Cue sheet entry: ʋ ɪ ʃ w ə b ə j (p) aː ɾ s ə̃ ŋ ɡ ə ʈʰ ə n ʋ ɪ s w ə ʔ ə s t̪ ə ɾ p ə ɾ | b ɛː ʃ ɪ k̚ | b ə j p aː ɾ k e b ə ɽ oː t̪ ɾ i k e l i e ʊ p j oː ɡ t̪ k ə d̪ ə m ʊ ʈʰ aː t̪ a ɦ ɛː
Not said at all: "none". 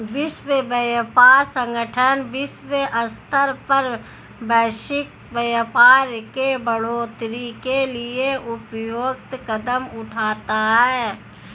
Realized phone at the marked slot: p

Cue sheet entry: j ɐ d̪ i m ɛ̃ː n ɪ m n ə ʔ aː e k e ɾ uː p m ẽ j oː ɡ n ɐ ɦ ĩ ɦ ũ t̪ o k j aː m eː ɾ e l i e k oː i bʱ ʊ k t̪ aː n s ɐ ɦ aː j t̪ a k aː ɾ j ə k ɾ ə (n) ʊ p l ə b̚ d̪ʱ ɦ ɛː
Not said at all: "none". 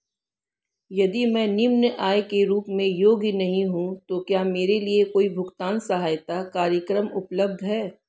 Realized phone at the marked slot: m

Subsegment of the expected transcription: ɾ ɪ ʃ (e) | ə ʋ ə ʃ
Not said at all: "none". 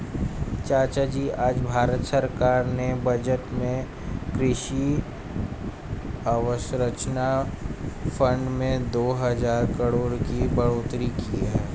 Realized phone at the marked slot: i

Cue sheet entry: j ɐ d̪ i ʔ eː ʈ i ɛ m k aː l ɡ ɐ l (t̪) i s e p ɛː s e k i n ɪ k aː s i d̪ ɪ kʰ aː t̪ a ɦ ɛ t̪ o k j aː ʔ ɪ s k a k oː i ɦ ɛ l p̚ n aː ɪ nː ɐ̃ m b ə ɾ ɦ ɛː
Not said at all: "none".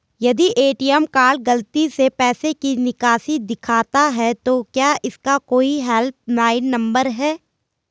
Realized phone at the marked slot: t̪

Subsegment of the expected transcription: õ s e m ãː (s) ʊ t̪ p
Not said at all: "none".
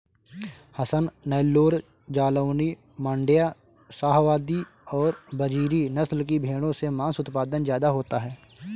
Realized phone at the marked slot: s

